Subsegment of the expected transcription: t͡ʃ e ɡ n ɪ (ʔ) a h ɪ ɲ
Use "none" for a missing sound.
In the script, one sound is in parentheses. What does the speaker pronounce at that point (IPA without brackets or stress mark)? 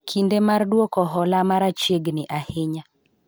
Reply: ʔ